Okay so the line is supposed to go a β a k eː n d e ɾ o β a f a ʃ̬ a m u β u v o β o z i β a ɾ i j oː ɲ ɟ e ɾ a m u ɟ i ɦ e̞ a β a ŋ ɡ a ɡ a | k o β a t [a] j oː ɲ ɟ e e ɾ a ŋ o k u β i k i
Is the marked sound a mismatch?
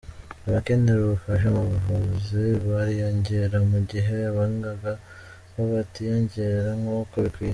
yes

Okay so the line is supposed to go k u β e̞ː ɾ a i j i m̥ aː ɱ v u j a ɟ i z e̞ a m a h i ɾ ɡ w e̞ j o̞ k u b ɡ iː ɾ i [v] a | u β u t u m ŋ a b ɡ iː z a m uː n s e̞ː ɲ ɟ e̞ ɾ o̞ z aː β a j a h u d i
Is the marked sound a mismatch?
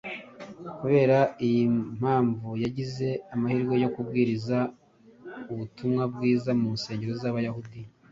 yes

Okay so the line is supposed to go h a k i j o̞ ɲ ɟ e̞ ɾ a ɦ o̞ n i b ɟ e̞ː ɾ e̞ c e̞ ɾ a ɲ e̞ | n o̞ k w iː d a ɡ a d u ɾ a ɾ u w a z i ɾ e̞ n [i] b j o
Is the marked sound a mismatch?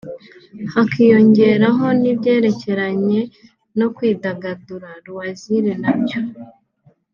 yes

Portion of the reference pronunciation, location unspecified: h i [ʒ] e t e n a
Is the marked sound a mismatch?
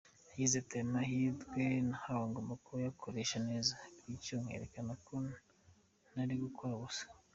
yes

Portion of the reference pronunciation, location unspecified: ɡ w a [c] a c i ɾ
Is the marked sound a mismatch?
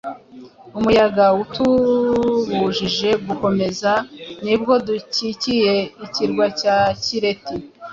no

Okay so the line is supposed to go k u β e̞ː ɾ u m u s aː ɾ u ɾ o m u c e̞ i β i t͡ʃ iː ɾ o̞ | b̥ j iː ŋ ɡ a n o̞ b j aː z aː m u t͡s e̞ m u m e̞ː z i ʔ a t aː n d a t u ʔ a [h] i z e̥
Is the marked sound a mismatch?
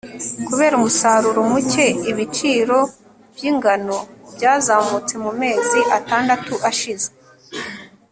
yes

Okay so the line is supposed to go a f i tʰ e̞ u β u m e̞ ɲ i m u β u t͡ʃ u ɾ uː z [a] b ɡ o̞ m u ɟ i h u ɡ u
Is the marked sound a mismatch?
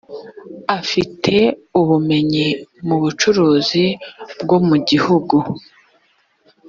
yes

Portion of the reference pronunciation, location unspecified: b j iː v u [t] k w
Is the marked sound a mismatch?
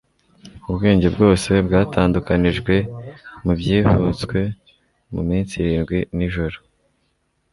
yes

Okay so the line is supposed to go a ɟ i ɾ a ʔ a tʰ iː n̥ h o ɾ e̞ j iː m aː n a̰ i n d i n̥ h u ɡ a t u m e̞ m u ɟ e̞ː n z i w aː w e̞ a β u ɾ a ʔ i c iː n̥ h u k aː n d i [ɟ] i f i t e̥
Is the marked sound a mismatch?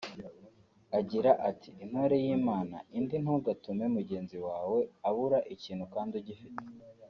no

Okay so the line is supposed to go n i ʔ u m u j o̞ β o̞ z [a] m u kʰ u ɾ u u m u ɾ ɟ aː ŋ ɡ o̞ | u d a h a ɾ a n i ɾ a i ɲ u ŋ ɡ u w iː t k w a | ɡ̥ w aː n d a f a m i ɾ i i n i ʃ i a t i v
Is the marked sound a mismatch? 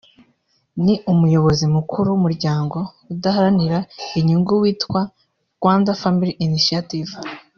yes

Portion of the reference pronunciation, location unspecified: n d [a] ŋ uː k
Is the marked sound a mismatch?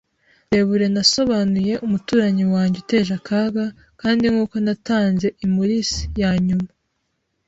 yes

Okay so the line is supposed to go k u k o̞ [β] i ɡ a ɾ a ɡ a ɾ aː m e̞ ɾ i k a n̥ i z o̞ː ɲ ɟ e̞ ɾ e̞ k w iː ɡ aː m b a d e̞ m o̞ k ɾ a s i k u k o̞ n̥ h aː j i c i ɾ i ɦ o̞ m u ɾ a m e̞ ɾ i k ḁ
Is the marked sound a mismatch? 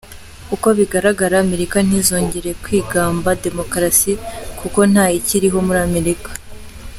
no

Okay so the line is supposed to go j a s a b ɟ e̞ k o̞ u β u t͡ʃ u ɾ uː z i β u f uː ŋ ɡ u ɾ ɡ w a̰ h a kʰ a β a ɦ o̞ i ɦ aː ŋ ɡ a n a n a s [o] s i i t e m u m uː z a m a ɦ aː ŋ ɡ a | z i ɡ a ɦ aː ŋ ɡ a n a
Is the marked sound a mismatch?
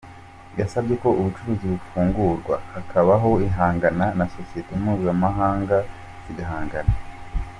no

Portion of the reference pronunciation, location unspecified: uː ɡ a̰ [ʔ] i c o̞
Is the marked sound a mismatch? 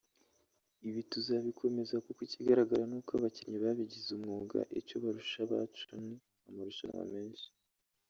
no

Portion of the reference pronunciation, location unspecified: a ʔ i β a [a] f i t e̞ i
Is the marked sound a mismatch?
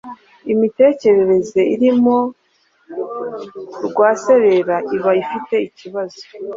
yes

